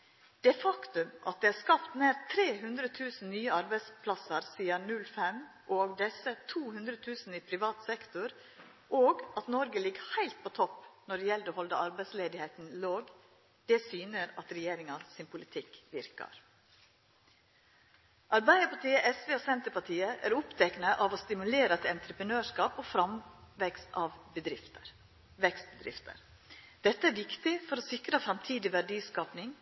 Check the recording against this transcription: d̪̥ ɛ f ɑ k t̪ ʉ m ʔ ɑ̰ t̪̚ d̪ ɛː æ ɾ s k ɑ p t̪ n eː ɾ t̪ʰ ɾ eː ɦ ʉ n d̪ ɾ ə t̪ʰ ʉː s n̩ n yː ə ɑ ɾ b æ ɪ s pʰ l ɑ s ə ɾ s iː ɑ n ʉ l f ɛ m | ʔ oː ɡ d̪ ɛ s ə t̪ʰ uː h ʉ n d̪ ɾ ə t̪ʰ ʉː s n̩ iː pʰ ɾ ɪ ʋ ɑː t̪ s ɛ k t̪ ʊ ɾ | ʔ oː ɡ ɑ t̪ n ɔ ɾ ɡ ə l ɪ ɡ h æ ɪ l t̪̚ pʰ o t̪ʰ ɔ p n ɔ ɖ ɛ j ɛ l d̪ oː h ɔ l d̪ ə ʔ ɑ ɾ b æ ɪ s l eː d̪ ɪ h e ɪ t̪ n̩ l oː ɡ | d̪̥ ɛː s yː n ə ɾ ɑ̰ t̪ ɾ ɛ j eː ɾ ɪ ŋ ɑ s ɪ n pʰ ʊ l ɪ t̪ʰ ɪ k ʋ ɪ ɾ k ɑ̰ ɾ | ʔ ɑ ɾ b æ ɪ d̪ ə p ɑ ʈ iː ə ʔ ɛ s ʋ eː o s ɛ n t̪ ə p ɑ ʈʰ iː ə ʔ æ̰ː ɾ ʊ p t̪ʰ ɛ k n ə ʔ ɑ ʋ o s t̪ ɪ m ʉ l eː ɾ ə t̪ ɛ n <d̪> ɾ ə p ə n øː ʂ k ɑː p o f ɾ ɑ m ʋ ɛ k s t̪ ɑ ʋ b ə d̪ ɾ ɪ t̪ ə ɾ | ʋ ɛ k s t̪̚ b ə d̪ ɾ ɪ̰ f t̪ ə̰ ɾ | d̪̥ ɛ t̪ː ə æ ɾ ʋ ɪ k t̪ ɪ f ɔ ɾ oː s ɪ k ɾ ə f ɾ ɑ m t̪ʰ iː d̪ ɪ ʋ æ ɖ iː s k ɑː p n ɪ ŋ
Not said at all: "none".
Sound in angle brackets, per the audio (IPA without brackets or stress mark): t̪